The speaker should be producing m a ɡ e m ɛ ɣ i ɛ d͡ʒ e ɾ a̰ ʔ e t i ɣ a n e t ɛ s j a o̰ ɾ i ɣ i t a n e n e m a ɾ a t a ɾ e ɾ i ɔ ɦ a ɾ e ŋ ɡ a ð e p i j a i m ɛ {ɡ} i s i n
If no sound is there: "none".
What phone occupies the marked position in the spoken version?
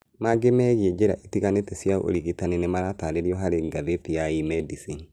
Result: d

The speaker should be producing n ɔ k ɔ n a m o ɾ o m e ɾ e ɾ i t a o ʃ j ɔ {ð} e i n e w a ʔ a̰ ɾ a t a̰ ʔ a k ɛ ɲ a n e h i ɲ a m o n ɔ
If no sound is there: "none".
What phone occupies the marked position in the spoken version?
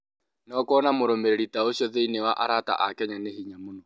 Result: ð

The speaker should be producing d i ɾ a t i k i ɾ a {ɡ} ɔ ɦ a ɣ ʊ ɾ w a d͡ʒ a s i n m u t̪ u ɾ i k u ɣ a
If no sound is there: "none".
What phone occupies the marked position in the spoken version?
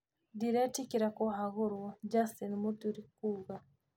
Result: k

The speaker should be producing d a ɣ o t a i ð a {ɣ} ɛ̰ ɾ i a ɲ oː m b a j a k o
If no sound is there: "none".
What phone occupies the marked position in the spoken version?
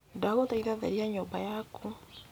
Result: ð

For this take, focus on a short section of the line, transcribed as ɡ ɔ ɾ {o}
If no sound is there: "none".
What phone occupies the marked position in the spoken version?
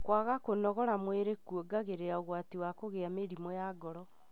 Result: ɔ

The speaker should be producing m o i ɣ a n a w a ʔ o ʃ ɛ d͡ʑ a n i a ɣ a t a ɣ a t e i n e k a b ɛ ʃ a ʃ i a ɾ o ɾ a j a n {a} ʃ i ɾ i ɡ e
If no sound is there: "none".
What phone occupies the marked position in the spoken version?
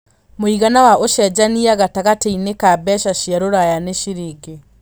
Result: e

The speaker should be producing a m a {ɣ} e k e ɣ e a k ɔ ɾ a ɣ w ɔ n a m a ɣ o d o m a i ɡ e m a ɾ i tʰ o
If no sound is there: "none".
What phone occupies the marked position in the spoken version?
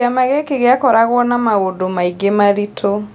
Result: ɣ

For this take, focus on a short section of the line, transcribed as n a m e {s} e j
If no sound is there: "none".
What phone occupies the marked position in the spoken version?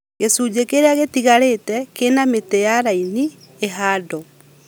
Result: t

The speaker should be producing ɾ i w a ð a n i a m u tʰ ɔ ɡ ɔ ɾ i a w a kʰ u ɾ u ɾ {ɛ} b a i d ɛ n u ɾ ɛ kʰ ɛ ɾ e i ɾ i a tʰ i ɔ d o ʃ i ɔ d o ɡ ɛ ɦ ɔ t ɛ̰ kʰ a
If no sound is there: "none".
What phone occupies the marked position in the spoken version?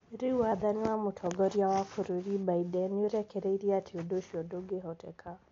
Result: i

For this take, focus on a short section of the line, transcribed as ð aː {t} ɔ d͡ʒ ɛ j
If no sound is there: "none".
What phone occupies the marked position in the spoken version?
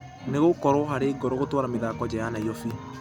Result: k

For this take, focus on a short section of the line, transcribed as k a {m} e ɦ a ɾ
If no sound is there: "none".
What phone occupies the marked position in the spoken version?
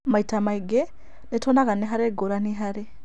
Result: n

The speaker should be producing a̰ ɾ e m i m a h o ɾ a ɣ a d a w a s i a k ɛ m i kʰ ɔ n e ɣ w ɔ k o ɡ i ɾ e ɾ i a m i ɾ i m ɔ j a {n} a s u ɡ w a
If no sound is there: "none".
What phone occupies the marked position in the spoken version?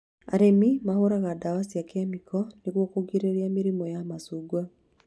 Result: m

